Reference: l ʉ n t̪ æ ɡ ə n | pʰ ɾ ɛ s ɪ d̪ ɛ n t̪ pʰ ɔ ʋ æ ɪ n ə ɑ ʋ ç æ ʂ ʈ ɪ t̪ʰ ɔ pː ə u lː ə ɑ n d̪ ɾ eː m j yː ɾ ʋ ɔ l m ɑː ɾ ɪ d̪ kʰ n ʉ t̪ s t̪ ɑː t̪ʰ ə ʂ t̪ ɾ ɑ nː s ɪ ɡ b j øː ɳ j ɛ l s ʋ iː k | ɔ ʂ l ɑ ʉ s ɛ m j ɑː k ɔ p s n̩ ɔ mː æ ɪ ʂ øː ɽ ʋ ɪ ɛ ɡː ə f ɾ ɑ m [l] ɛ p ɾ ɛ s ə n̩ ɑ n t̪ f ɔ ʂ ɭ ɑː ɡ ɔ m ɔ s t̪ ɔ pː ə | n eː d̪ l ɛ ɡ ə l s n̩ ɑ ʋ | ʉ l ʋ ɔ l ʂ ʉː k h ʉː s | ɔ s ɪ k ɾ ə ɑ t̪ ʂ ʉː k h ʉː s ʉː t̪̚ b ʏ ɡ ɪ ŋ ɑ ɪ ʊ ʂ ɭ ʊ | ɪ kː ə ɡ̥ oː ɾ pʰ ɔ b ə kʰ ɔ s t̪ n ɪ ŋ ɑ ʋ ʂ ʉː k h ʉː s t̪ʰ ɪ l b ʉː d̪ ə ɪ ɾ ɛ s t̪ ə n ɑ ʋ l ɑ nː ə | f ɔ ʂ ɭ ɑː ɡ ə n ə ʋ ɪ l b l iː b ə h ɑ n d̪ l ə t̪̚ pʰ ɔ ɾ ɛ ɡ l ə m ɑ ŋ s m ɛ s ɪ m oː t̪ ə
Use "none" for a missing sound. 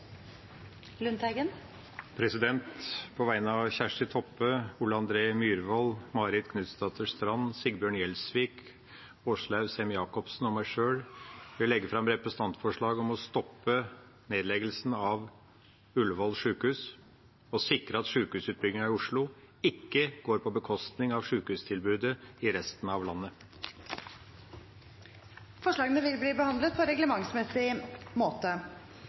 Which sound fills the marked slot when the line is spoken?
ɾ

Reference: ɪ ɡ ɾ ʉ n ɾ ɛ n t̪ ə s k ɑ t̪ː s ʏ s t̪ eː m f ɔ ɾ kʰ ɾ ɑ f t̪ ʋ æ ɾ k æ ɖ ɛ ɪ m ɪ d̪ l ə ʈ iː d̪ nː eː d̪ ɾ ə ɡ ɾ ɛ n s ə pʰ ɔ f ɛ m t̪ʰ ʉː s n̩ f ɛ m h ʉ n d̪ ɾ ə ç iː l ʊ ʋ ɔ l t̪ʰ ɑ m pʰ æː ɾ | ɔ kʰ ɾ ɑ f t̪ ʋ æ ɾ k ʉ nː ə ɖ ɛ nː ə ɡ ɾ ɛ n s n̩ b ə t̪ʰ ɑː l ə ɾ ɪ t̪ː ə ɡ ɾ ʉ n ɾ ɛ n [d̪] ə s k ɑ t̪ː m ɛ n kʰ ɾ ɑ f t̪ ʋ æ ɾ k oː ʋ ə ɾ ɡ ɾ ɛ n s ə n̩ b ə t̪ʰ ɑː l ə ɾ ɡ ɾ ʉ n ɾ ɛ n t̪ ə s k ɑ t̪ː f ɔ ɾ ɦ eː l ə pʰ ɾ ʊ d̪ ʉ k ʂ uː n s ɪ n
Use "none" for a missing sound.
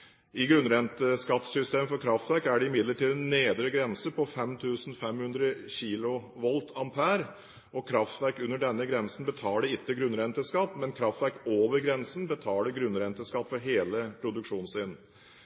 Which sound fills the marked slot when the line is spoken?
t̪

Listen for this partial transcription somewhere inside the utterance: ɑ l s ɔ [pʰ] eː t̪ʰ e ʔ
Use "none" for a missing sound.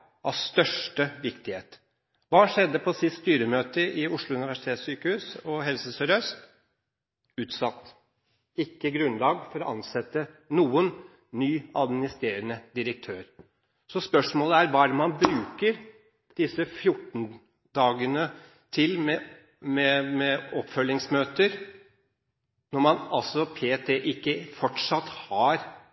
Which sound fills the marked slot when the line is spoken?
pʰ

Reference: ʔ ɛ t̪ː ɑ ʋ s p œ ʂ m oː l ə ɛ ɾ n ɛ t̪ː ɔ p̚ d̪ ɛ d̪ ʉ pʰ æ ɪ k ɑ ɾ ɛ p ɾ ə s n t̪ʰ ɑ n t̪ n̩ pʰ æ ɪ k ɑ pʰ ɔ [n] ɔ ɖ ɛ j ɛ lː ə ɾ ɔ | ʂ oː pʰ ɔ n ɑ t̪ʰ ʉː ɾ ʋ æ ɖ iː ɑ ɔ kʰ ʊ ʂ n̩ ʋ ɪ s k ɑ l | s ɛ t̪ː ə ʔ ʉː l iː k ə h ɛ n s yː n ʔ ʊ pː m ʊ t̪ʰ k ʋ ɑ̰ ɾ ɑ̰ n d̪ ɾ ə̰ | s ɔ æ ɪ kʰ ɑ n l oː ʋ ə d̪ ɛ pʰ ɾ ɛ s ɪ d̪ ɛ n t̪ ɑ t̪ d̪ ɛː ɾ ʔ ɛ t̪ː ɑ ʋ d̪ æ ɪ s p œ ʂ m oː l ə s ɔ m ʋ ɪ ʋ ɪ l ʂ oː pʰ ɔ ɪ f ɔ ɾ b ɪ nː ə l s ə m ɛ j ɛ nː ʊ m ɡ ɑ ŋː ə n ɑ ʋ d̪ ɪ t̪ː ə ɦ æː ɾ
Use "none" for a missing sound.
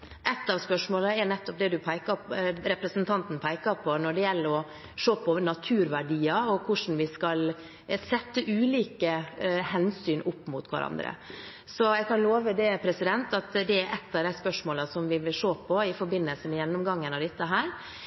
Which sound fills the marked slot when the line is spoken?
n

